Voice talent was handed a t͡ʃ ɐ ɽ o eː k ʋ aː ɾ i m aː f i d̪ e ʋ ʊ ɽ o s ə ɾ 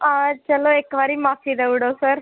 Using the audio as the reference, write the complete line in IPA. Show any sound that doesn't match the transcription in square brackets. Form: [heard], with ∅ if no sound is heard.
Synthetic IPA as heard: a t͡ʃ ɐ [l] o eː k ʋ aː ɾ i m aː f i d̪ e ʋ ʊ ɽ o s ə ɾ